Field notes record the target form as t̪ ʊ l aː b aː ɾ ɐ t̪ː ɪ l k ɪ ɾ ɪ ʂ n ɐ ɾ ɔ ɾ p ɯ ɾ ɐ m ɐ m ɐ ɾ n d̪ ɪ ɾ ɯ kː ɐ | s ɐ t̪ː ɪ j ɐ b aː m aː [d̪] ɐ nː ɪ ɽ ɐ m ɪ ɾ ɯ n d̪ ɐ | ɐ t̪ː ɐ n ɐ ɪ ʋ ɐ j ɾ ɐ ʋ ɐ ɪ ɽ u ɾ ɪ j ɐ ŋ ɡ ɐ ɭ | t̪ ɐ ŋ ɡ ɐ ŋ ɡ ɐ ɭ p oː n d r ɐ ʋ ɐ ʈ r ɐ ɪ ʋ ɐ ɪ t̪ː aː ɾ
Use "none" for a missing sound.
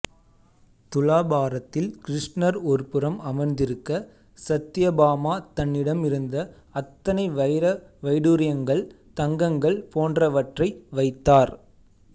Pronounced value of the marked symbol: t̪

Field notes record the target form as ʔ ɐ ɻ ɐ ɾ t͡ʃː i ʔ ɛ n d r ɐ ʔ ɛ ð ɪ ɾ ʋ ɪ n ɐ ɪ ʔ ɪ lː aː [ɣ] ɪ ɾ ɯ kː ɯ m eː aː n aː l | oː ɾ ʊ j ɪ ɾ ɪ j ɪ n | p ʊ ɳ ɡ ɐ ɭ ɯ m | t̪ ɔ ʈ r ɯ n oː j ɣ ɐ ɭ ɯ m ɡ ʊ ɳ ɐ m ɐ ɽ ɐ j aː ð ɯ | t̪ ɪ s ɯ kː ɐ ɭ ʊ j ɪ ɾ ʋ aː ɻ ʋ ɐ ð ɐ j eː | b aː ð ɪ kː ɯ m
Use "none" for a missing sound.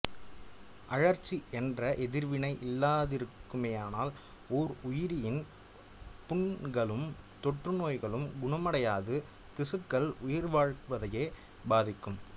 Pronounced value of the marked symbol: ð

